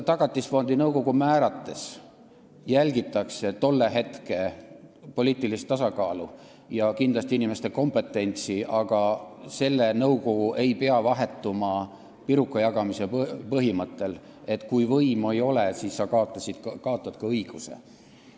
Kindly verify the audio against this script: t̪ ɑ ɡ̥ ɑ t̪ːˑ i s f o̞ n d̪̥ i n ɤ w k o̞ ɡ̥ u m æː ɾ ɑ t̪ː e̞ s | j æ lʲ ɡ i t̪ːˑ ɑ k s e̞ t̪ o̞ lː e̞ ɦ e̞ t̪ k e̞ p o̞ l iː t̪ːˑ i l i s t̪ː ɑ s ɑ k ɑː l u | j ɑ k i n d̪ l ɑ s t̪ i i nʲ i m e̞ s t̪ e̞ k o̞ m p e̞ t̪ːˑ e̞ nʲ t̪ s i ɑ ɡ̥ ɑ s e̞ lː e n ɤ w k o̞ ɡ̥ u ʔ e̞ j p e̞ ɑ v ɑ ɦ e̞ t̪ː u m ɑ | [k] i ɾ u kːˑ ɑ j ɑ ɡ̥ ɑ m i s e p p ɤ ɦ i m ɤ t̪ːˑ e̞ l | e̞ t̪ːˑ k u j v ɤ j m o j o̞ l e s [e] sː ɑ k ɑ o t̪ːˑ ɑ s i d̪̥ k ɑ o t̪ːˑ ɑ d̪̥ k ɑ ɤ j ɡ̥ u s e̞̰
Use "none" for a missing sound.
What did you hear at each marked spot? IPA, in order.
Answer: p, i

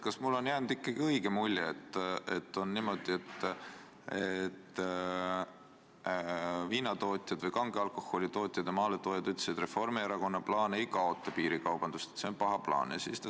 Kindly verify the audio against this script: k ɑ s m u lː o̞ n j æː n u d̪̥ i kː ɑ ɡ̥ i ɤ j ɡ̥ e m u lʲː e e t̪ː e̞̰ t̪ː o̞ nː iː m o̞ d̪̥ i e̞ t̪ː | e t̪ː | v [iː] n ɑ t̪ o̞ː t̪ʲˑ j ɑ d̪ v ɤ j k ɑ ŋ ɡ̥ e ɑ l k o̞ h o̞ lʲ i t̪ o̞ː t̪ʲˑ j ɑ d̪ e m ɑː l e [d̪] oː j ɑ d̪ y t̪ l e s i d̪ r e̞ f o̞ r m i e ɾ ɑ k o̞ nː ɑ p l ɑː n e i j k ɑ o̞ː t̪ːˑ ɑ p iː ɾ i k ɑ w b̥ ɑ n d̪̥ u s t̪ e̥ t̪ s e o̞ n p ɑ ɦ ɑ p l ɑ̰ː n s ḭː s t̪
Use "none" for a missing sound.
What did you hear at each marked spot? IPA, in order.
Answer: iː, t̪

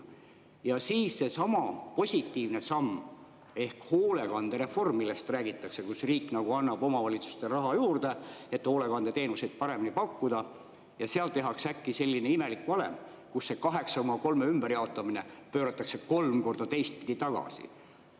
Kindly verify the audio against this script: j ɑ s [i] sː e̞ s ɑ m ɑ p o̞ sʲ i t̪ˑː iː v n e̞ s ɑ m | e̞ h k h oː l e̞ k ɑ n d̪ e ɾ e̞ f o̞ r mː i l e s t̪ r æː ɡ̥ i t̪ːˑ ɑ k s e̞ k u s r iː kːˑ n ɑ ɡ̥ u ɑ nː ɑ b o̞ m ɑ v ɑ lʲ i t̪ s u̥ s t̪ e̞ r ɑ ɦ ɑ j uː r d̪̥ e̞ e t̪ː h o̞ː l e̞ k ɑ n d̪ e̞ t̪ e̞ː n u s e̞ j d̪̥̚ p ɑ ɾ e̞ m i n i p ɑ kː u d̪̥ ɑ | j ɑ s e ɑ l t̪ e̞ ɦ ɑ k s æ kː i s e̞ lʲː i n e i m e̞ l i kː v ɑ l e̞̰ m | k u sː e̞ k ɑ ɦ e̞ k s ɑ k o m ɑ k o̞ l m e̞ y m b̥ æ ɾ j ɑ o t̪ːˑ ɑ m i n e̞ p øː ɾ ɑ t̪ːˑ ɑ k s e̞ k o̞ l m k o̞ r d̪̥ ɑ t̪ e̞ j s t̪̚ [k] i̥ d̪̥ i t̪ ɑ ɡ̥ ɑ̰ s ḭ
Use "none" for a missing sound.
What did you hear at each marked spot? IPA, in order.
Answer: iː, p

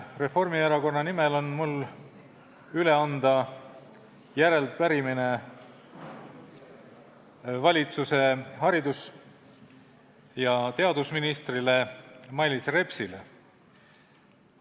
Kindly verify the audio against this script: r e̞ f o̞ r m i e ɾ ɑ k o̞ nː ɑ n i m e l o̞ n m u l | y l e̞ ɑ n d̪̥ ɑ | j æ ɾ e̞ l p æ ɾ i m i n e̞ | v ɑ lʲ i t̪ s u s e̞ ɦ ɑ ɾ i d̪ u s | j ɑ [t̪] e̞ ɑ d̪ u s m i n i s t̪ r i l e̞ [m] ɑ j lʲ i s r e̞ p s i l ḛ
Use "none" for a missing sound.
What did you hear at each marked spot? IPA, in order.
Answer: t̪, m

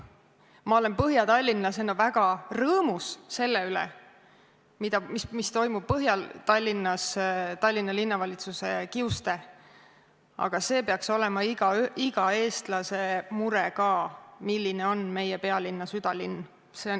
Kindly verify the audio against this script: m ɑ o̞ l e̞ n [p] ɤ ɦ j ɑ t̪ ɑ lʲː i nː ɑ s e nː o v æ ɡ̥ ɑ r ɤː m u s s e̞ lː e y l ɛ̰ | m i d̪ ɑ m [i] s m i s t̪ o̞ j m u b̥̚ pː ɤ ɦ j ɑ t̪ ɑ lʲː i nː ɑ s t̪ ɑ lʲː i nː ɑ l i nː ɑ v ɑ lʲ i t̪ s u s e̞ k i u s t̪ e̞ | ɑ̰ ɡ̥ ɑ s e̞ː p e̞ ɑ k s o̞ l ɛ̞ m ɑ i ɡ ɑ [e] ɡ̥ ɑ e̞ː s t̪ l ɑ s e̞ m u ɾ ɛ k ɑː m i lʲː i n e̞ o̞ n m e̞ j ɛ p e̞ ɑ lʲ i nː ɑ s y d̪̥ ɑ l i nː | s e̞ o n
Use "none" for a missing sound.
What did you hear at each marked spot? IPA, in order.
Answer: p, i, i

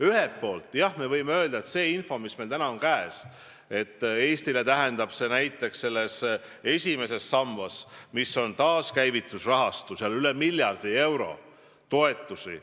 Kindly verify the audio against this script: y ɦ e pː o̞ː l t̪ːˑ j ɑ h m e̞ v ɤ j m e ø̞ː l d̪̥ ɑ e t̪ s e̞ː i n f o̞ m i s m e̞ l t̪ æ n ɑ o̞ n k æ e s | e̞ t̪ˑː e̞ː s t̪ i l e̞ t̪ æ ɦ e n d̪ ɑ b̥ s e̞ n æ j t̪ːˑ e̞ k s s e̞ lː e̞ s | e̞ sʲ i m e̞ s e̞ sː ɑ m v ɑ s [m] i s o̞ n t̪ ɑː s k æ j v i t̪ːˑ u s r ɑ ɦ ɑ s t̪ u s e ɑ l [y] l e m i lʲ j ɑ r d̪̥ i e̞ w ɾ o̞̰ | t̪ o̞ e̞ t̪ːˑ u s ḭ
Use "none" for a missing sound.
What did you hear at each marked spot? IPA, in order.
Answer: m, y

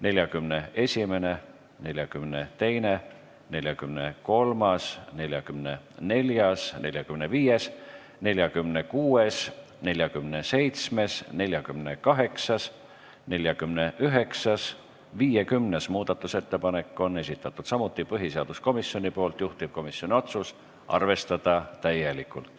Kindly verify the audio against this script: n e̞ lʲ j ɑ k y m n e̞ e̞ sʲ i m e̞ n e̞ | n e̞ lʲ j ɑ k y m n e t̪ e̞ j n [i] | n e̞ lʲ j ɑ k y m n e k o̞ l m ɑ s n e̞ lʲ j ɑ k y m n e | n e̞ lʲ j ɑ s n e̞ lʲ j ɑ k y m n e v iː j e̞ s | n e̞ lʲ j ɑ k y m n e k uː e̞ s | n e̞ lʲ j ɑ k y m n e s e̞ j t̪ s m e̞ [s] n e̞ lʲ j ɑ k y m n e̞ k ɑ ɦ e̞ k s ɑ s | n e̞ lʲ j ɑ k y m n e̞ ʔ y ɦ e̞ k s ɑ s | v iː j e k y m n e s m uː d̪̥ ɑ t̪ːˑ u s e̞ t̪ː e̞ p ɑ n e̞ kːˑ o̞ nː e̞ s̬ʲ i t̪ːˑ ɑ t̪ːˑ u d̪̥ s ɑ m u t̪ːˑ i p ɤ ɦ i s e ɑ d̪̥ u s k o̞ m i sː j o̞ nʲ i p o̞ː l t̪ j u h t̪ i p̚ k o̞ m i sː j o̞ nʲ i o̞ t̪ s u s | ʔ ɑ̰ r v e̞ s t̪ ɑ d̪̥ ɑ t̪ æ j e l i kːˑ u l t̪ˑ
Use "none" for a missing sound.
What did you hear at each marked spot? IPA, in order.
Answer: e, s

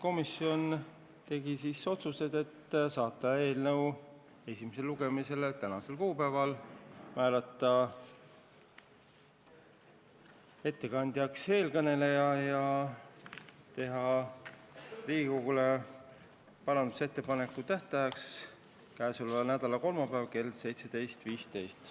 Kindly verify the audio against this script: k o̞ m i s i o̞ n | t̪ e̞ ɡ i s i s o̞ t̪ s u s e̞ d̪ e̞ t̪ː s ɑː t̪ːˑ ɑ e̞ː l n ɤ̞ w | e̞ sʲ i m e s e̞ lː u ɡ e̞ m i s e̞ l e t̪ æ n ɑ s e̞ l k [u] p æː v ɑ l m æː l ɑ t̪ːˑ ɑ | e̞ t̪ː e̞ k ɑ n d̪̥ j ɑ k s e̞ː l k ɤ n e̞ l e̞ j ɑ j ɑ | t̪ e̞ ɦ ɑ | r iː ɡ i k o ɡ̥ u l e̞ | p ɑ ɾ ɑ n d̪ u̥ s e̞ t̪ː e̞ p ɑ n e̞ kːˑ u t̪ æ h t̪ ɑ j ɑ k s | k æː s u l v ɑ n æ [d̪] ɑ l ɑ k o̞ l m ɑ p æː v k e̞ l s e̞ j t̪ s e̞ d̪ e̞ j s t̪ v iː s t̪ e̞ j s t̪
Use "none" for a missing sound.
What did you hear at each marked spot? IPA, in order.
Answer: uː, d̪

